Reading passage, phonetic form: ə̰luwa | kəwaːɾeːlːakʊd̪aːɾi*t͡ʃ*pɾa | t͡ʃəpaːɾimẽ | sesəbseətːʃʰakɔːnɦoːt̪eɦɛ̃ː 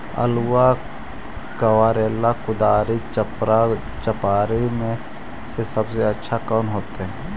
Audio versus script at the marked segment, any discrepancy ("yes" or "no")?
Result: no